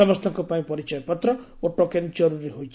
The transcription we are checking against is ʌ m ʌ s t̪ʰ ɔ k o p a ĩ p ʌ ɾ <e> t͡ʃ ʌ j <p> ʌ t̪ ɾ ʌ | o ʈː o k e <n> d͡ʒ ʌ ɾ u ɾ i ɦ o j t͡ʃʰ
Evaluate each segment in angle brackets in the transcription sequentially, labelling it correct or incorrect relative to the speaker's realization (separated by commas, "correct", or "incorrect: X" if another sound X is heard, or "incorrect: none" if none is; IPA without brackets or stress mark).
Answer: incorrect: i, correct, correct